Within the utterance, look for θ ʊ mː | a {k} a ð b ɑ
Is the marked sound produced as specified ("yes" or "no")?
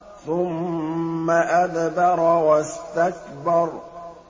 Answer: no